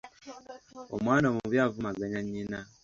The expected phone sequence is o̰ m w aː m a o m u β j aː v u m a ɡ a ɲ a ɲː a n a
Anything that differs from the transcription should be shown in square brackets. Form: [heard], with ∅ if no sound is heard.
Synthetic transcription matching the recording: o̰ m w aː [n] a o m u β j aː v u m a ɡ a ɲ a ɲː [i] n a